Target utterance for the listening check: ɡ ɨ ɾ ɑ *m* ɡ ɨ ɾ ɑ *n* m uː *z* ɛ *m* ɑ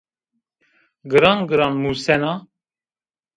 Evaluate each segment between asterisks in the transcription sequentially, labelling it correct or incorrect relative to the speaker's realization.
incorrect, correct, incorrect, incorrect

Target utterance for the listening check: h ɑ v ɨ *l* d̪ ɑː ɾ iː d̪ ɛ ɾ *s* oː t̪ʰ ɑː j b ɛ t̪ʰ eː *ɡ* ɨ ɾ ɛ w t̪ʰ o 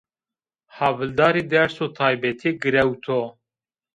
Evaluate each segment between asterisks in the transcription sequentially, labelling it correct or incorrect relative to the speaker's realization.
correct, correct, correct

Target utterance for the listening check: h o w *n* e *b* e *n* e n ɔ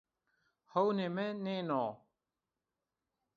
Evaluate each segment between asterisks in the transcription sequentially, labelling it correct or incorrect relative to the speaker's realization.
correct, incorrect, correct

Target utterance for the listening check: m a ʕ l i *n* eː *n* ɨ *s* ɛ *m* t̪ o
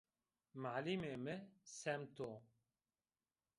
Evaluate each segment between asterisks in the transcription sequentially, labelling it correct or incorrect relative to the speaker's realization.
incorrect, incorrect, correct, correct

